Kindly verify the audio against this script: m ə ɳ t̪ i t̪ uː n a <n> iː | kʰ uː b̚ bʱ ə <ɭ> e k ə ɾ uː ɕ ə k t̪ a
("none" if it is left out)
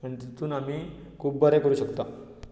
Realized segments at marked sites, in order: m, ɾ

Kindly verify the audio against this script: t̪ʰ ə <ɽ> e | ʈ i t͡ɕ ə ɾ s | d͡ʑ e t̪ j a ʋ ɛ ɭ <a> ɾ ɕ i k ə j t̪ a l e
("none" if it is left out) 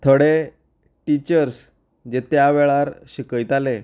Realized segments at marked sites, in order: ɽ, a

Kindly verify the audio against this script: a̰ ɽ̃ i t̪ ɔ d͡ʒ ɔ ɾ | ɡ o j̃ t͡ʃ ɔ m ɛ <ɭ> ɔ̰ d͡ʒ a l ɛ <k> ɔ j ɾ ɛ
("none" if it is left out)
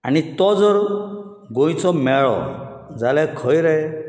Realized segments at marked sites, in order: ɭ, kʰ

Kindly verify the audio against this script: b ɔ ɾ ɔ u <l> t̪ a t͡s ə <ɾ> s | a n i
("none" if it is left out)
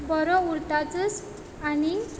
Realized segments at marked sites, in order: ɾ, none

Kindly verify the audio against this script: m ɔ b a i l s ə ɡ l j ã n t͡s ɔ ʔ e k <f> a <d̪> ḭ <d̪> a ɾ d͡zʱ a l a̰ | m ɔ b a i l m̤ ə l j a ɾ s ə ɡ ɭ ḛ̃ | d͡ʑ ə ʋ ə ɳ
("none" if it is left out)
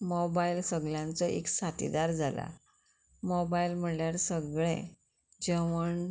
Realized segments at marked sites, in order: s, t̪, d̪

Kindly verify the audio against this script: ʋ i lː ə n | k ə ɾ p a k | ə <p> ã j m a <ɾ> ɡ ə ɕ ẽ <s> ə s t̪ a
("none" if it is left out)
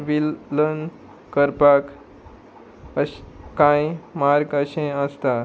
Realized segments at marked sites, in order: k, ɾ, none

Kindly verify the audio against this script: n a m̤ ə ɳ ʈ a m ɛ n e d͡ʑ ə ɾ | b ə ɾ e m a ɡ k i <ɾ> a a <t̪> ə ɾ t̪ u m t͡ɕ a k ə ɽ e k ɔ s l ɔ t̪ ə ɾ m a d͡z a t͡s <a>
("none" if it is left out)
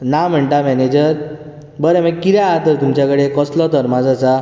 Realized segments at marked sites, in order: ɾ, t̪, a

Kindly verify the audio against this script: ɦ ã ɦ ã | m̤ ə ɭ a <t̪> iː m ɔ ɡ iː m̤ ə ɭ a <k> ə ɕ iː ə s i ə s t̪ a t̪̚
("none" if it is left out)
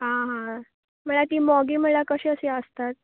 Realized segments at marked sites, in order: t̪, k

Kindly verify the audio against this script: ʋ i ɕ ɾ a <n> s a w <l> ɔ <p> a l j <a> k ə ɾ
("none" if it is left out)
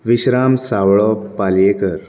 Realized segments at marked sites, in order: m, ɭ, p, e

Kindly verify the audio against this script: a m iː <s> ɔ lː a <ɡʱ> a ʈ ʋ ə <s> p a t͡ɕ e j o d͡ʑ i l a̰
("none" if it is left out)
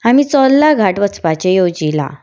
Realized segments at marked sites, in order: t͡s, ɡʱ, t͡s

